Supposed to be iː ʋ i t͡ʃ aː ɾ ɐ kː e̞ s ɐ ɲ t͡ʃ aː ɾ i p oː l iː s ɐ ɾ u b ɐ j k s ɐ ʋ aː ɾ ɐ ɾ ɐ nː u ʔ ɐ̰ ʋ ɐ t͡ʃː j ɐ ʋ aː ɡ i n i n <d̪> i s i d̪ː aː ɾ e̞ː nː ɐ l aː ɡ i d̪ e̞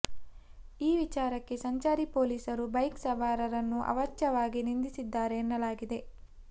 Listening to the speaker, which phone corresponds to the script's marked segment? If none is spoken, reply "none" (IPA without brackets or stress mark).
d̪